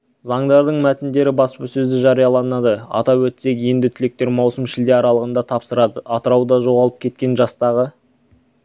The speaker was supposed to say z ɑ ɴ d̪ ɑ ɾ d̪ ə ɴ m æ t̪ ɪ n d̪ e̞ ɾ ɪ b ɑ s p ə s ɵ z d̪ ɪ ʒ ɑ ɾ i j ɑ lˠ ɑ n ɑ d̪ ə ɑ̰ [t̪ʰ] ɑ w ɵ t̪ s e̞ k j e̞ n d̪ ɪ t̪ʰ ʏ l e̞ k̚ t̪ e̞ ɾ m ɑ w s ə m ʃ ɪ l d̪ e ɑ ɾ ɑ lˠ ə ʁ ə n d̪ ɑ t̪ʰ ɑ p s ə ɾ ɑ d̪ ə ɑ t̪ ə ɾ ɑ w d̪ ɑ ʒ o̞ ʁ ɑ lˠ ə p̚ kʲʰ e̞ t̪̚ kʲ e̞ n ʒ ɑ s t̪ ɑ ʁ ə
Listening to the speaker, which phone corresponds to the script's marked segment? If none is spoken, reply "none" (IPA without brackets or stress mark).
t̪